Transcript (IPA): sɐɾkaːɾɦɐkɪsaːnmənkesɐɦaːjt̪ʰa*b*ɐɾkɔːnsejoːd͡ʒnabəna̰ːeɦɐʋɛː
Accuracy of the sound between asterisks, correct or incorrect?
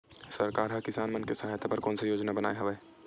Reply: incorrect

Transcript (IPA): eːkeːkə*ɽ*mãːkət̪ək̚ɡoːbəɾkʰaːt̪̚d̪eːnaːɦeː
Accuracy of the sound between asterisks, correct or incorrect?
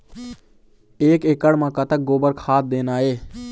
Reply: correct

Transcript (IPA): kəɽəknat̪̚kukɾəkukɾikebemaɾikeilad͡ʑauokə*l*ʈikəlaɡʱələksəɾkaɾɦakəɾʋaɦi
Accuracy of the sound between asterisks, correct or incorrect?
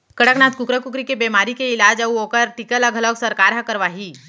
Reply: incorrect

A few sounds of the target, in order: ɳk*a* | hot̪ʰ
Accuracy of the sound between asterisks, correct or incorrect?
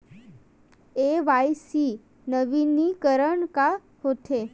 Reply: correct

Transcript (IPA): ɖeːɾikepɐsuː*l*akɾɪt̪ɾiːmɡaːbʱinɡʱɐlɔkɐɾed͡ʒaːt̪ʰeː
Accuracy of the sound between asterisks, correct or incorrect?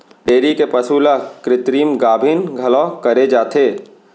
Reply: correct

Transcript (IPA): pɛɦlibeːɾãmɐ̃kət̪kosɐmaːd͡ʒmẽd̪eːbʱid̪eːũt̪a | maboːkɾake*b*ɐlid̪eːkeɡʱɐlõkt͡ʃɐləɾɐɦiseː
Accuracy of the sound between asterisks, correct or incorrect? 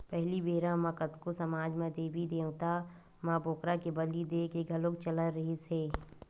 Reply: correct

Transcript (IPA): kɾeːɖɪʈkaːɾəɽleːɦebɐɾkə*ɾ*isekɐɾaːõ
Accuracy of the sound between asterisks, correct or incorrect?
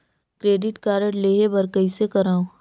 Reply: incorrect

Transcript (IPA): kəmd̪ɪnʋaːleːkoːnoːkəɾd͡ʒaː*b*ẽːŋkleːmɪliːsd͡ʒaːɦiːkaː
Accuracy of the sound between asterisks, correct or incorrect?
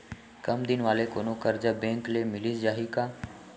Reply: correct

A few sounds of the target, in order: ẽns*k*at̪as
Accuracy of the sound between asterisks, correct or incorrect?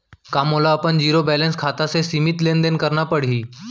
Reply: incorrect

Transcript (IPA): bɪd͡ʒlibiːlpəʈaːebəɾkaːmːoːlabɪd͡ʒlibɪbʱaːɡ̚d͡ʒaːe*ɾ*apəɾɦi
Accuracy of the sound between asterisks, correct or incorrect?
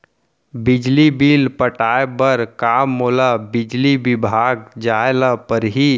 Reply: incorrect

